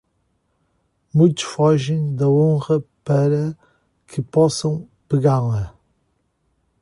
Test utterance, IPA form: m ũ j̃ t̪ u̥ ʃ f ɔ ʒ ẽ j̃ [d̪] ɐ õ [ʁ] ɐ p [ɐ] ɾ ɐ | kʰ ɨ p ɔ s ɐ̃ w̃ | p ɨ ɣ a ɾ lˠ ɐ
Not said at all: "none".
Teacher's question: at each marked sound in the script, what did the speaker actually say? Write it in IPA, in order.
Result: d̪, ʁ, ɐ

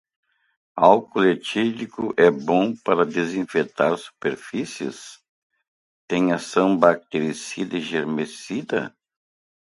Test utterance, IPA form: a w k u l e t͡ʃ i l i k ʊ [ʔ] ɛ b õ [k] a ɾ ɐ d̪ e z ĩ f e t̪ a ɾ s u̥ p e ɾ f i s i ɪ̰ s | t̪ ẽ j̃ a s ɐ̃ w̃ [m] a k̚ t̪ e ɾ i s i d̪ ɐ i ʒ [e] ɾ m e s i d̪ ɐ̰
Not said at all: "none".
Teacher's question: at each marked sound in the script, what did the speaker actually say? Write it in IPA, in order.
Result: ʔ, p, b, e

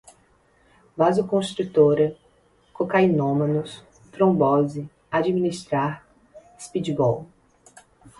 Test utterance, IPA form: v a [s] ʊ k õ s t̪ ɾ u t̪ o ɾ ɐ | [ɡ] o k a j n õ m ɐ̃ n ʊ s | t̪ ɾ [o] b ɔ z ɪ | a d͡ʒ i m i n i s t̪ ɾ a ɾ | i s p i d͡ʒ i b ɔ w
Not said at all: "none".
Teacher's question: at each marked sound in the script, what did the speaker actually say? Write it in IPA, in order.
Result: z, k, õ

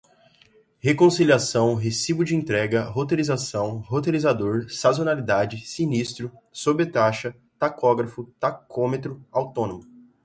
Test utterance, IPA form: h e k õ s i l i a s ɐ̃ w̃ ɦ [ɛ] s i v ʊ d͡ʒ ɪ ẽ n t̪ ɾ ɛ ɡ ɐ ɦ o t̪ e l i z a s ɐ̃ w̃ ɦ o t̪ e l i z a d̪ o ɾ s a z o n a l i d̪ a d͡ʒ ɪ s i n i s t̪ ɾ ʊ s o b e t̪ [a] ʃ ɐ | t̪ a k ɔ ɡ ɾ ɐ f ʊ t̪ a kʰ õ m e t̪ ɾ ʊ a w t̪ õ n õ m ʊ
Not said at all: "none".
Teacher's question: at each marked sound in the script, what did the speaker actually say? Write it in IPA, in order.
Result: e, a

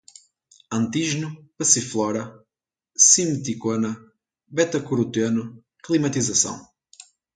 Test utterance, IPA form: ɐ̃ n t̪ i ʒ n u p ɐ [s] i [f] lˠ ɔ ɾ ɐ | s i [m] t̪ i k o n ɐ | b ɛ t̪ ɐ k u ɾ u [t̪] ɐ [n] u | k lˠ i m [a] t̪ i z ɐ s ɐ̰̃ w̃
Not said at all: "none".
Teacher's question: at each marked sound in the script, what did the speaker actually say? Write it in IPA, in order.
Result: s, f, m, t̪, n, ɐ

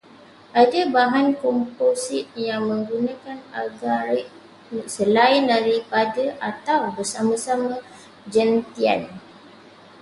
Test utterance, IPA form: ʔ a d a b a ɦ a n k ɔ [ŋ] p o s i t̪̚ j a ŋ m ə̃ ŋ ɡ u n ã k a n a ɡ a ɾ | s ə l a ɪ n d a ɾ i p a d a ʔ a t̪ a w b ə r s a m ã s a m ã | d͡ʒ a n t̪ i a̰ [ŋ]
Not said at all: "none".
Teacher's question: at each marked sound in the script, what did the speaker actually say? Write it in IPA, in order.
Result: m, n

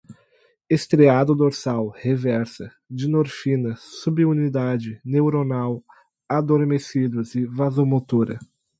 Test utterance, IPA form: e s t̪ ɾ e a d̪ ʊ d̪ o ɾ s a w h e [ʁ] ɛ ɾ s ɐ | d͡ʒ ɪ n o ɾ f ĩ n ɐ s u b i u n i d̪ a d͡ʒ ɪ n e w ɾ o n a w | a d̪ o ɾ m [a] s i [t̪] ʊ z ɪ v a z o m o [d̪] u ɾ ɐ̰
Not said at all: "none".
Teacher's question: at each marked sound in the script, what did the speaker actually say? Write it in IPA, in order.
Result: v, e, d̪, t̪

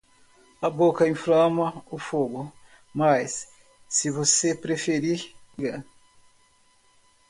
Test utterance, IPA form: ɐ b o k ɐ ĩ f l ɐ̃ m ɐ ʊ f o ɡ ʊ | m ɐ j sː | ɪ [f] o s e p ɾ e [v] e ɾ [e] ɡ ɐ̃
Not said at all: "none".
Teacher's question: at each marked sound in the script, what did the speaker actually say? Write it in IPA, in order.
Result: v, f, i

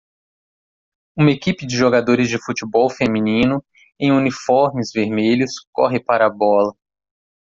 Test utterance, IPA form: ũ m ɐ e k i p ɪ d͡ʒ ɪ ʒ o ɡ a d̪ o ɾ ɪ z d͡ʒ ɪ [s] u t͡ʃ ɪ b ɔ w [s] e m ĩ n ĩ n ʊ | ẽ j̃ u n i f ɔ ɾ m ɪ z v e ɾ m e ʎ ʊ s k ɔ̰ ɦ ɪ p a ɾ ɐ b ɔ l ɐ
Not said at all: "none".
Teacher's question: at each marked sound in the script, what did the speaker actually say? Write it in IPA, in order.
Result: f, f

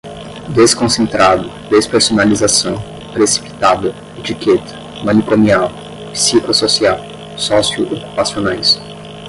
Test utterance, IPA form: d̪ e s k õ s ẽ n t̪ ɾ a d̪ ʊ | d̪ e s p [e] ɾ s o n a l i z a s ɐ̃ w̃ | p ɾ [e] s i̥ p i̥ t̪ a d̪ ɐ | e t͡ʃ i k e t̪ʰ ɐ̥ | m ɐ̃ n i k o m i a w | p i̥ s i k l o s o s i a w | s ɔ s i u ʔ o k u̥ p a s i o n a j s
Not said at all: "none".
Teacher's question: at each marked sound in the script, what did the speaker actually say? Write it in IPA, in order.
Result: e, e

